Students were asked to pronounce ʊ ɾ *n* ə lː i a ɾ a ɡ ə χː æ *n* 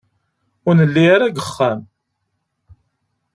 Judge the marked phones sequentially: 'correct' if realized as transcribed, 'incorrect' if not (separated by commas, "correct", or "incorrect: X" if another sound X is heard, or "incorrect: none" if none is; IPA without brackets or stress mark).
correct, incorrect: m